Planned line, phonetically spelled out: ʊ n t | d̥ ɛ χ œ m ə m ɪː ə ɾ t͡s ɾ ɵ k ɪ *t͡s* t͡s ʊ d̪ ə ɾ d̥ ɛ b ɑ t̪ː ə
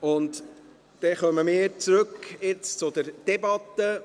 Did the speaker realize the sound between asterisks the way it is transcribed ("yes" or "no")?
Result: yes